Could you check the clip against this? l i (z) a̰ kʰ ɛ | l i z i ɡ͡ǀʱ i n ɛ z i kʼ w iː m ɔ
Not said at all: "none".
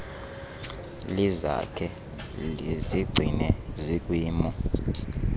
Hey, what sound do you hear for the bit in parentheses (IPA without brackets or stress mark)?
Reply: z